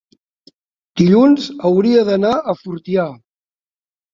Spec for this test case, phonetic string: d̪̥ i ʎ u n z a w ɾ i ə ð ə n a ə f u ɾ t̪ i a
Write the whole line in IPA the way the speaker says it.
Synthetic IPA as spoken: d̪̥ i ʎ u n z ə w ɾ i ə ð ə n a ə f u ɾ t̪ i a